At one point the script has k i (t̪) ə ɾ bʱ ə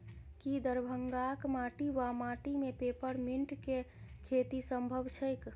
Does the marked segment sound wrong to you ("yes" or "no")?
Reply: yes